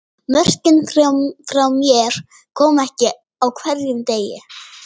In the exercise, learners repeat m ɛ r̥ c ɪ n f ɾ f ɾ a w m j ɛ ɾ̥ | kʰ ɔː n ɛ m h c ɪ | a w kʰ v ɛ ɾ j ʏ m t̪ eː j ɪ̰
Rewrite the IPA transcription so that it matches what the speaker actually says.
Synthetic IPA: m œ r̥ c ɪ n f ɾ f ɾ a w m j ɛ ɾ̥ | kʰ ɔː m ɛ h c ɪ | a w kʰ v ɛ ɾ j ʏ m t̪ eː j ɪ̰